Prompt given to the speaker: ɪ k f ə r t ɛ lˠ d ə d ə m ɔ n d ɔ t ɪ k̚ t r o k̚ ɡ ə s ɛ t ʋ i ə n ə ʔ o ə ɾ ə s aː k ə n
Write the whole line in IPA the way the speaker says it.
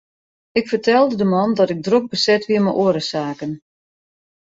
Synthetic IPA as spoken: ɪ k f ə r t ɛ lˠ d ə d ə m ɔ n d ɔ t ɪ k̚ d r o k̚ b ə s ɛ t ʋ i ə m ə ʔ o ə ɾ ə s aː k ə n